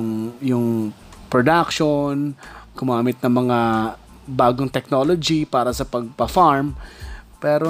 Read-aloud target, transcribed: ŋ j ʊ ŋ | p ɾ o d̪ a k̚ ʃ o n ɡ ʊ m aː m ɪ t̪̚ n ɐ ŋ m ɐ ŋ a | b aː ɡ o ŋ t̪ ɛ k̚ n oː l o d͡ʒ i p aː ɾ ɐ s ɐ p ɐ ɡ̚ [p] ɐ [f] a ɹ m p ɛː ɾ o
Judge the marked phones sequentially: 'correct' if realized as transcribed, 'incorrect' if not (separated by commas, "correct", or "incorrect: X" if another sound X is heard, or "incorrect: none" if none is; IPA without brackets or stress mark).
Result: correct, correct